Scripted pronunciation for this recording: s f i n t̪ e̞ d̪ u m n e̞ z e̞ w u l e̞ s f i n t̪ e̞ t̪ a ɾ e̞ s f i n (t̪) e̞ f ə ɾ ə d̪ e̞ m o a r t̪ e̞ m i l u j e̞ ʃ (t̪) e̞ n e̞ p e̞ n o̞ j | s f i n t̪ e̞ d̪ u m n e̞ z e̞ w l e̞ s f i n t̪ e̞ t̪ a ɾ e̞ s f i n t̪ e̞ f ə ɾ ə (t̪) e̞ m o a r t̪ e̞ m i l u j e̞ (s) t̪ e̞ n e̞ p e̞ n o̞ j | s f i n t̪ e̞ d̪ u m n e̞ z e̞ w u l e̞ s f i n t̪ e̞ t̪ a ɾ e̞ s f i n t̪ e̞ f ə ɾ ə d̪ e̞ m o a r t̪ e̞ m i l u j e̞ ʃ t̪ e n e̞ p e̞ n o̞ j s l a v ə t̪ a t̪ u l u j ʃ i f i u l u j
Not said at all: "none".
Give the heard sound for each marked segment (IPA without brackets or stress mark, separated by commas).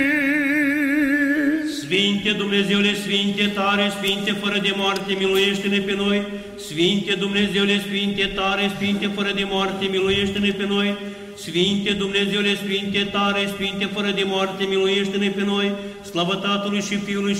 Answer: t̪, t̪, d̪, ʃ